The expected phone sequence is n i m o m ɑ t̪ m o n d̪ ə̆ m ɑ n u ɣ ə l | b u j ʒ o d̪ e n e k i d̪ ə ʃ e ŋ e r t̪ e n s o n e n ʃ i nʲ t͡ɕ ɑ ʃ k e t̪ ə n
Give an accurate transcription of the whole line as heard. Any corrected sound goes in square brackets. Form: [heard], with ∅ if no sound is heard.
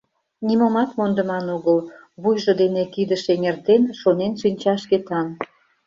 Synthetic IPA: n i m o m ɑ t̪ m o n d̪ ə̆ m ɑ n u ɣ ə l | [β] u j ʒ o d̪ e n e k i d̪ ə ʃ e ŋ e r t̪ e n [ʃ] o n e n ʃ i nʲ t͡ɕ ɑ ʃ k e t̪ [ɑ] n